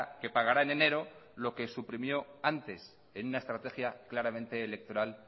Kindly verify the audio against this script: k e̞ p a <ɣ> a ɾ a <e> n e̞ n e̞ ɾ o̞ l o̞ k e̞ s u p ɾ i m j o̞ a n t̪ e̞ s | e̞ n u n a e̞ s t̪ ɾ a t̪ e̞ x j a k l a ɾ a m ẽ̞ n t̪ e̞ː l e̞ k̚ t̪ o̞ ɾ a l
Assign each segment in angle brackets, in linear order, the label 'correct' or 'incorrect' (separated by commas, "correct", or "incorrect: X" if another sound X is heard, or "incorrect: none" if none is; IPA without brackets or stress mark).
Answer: correct, correct